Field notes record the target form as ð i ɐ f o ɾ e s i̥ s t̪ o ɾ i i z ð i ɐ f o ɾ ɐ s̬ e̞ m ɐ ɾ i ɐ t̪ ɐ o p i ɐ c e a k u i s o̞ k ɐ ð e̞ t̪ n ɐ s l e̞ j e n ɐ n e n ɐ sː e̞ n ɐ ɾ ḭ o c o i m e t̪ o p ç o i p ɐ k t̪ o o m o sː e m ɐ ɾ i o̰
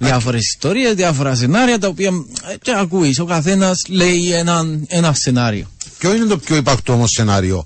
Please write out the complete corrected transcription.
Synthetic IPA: ð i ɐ f o ɾ e s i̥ s t̪ o ɾ i e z ð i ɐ f o ɾ ɐ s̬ e̞ n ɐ ɾ i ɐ t̪ ɐ o p i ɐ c e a k u i s o̞ k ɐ θ e̞ n ɐ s l e̞ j e n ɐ n e n ɐ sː e̞ n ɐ ɾ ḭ o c o i n e t̪ o p ç o i p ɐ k t̪ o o m o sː e n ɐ ɾ i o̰